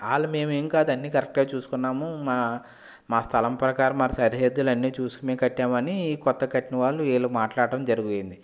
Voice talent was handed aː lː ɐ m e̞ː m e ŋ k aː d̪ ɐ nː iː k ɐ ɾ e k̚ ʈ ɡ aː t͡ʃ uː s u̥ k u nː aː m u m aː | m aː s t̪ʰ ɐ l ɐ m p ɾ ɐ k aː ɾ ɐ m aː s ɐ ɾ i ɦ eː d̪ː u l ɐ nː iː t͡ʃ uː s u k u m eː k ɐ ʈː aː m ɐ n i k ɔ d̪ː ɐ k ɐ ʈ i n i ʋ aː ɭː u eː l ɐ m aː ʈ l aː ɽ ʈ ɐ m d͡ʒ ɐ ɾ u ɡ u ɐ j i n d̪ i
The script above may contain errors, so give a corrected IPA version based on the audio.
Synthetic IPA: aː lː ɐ m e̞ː m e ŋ k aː d̪ ɐ nː iː k ɐ ɾ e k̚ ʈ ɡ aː t͡ʃ uː s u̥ k u nː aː m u m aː | m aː s t̪ʰ ɐ l ɐ m p ɾ ɐ k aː ɾ ɐ m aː s ɐ ɾ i ɦ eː d̪ː u l ɐ nː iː t͡ʃ uː s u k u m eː k ɐ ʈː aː m ɐ n i k ɔ t̪ː ɐ k ɐ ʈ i n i ʋ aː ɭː u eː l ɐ m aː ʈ l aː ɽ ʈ ɐ m d͡ʒ ɐ ɾ u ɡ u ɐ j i n d̪ i

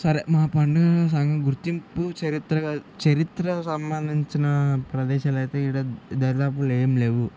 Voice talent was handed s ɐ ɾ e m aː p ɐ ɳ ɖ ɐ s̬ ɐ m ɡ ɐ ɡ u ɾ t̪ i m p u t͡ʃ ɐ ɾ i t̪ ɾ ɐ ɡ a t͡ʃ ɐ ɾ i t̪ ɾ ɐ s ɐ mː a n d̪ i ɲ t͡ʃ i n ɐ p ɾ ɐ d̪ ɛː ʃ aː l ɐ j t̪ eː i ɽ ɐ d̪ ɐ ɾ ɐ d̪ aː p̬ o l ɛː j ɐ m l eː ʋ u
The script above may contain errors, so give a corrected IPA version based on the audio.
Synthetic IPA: s ɐ ɾ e m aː p ɐ ɳ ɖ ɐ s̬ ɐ ŋ ɡ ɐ ɡ u ɾ t̪ i m p u t͡ʃ ɐ ɾ i t̪ ɾ ɐ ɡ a t͡ʃ ɐ ɾ i t̪ ɾ ɐ s ɐ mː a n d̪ i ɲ t͡ʃ i n ɐ p ɾ ɐ d̪ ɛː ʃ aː l ɐ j t̪ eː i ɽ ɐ d̪ ɐ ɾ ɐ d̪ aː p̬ u l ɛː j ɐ m l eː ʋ u

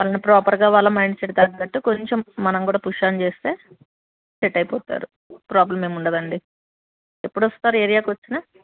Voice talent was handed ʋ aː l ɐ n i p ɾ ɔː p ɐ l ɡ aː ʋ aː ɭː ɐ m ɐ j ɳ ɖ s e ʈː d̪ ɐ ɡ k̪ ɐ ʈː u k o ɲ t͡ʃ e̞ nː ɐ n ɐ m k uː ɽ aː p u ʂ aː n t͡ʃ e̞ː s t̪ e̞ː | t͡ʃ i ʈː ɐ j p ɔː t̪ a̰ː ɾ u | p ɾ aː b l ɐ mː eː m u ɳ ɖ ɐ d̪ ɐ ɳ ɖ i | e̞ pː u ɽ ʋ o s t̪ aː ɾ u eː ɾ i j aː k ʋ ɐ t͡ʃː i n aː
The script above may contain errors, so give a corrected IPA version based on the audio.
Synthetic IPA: ʋ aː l ɐ n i p ɾ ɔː p ɐ ɾ ɡ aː ʋ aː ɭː ɐ m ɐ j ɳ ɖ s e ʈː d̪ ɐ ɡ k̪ ɐ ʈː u k o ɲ t͡ʃ e̞ mː ɐ n ɐ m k uː ɽ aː p u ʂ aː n t͡ʃ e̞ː s t̪ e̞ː | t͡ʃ e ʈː ɐ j p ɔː t̪ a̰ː ɾ u | p ɾ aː b l ɐ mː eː m u ɳ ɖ ɐ d̪ ɐ ɳ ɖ i | e̞ pː u ɽ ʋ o s t̪ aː ɾ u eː ɾ i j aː k ʋ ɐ t͡ʃː i n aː

